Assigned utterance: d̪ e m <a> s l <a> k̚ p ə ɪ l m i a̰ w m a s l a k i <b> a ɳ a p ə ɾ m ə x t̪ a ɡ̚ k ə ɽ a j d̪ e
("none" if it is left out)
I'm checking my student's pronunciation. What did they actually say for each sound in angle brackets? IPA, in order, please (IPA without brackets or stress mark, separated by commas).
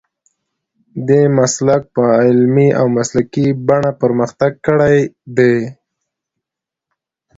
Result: a, a, b